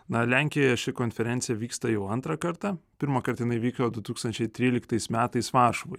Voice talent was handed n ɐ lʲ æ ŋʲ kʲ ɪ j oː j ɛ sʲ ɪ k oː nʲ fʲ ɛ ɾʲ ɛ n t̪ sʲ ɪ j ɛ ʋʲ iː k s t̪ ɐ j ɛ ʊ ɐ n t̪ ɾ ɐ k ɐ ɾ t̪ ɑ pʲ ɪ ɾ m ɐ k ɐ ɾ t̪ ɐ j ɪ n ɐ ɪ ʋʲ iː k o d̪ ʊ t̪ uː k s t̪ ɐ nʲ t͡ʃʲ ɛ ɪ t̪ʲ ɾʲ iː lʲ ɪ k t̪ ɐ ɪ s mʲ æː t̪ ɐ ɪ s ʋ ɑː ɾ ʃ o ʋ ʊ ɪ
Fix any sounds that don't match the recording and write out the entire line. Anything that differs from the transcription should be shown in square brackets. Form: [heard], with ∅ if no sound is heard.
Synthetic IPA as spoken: n ɐ lʲ æ ŋʲ kʲ ɪ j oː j ɛ [ʃʲ] ɪ k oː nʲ fʲ ɛ ɾʲ ɛ n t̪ sʲ ɪ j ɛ ʋʲ iː k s t̪ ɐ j ɛ ʊ ɐ n t̪ ɾ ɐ k ɐ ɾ t̪ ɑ pʲ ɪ ɾ m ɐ k ɐ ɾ t̪ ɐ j ɪ n ɐ ɪ ʋʲ iː k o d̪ ʊ t̪ uː k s t̪ ɐ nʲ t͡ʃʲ ɛ ɪ t̪ʲ ɾʲ iː lʲ ɪ k t̪ ɐ ɪ s mʲ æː t̪ ɐ ɪ s ʋ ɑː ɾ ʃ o ʋ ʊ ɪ